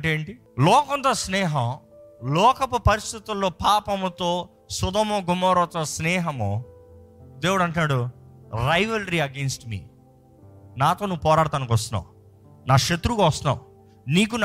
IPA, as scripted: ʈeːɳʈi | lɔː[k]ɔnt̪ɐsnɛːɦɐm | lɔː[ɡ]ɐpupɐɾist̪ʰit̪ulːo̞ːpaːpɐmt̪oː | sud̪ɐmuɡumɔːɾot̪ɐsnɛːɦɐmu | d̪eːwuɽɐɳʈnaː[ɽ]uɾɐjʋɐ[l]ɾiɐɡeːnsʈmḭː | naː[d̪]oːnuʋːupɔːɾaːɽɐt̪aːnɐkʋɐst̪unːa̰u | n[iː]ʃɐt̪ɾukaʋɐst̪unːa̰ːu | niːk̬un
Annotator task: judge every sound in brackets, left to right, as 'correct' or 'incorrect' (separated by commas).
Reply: correct, incorrect, correct, correct, incorrect, incorrect